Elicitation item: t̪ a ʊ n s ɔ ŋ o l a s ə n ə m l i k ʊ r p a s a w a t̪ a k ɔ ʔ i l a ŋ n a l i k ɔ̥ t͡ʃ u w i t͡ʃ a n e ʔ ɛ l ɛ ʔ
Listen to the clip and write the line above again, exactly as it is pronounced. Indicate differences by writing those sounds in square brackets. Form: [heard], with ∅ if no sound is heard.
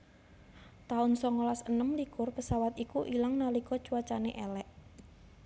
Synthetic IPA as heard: t̪ a ʊ n s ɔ ŋ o l a s ə n ə m l i k ʊ r p [ə] s a w a t̪ [i] k [u] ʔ i l a ŋ n a l i k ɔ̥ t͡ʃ u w [a] t͡ʃ a n e ʔ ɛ l ɛ ʔ